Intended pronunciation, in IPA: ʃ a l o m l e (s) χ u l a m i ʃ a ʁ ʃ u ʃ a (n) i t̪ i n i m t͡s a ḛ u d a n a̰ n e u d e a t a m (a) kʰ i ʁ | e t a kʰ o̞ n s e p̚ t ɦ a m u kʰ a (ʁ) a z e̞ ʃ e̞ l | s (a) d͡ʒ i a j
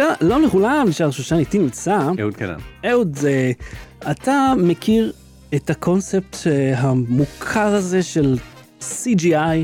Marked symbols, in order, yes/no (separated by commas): no, yes, no, yes, no